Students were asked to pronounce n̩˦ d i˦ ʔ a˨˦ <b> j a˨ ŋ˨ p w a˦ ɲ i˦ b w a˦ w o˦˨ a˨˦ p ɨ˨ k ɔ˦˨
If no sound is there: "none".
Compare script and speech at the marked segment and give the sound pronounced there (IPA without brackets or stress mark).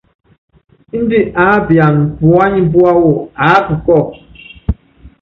b